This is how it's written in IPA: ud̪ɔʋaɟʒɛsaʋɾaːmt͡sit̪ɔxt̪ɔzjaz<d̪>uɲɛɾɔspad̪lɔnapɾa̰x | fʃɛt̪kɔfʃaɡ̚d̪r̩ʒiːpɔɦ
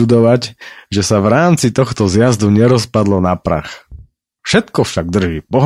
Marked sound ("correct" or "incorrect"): correct